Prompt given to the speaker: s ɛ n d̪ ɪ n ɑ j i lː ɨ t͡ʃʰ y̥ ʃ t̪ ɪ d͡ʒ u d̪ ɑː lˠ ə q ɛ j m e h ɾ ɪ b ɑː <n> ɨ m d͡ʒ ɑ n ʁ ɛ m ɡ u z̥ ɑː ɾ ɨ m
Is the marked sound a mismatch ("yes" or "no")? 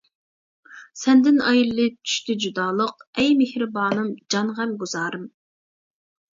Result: no